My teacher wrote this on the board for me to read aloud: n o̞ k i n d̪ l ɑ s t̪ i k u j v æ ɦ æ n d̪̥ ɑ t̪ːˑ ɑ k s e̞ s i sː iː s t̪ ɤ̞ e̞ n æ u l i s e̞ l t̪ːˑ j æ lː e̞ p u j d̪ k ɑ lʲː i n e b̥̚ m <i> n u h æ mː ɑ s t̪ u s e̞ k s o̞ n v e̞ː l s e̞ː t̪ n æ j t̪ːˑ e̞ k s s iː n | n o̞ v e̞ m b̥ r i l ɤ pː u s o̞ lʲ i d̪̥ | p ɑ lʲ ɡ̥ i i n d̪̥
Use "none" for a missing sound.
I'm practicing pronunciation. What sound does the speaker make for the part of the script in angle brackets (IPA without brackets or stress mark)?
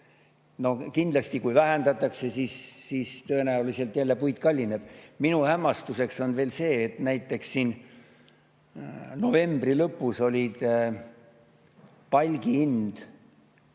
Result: i